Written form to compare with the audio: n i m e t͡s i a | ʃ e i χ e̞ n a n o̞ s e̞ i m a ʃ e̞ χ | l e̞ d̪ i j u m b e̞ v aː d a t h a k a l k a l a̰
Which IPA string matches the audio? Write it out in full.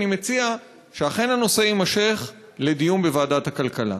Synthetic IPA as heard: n i m e t͡s i a | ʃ e a χ e̞ n a n o̞ s e̞ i m a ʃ e̞ χ | l e̞ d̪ i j u m b e̞ v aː d a t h a k a l k a l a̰